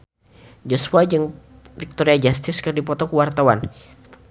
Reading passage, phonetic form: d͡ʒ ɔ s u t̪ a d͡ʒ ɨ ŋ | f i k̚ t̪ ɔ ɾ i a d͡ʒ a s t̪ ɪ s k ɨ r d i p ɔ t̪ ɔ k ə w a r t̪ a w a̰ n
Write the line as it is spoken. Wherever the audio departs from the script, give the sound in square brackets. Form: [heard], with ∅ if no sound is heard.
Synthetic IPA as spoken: d͡ʒ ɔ s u [∅] a d͡ʒ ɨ ŋ | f i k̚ t̪ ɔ ɾ i a d͡ʒ a s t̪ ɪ s k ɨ r d i p ɔ t̪ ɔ k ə w a r t̪ a w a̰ n